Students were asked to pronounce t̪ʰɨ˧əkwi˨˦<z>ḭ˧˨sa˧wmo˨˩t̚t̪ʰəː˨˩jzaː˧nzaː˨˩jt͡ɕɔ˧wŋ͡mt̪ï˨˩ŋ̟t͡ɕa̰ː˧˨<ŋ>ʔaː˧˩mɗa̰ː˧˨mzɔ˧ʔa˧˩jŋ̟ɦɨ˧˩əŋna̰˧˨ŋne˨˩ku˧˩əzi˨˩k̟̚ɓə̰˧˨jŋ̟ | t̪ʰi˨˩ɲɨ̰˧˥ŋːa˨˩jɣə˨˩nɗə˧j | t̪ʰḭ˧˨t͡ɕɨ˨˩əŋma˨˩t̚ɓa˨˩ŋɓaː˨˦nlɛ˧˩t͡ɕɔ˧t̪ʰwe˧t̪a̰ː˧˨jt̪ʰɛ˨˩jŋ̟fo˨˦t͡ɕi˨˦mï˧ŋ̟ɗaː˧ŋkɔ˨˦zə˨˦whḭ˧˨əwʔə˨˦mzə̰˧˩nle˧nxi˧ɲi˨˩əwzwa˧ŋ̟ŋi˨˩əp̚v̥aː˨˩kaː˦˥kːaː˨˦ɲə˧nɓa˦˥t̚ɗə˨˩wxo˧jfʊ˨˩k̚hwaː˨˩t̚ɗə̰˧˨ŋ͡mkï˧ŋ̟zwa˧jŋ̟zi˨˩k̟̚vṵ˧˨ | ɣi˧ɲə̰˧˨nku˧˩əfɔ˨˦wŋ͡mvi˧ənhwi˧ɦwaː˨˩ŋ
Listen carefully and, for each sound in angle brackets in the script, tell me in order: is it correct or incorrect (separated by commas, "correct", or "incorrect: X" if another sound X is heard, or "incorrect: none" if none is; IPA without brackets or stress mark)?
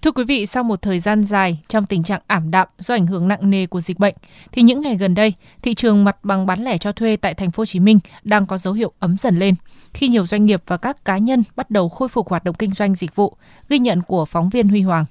incorrect: v, correct